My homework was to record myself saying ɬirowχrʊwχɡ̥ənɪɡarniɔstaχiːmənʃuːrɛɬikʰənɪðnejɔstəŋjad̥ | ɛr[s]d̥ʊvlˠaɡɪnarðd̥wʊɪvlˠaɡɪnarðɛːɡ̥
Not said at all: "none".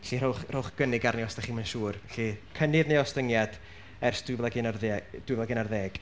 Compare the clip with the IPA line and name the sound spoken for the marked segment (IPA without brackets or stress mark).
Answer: s